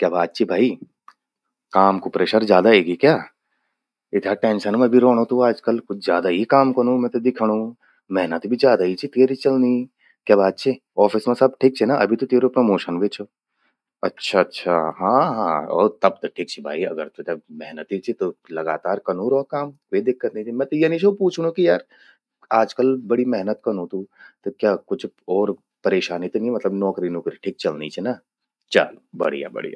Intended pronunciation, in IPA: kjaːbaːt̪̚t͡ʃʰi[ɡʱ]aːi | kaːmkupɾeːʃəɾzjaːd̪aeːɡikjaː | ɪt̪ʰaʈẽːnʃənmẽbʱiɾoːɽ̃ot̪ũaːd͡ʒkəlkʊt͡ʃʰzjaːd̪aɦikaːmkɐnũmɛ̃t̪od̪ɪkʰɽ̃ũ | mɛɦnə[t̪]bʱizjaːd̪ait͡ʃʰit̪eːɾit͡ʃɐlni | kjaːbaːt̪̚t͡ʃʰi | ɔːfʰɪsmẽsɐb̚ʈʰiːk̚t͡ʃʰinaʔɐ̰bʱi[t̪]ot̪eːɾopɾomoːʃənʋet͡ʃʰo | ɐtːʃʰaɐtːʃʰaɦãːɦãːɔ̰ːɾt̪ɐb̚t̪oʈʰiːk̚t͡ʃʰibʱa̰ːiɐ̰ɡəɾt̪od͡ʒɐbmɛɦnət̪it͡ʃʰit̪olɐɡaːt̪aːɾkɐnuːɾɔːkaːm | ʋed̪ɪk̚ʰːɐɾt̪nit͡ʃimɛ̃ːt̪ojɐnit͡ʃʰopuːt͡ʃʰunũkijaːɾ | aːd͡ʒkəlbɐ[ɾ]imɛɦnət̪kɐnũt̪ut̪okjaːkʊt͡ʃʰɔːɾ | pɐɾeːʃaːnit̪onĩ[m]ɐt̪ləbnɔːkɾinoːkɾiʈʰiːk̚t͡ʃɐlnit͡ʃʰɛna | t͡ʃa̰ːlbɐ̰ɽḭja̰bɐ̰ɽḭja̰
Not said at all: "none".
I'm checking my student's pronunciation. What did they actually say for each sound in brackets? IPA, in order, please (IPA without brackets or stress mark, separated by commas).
bʱ, t̪, t̪, ɽ, m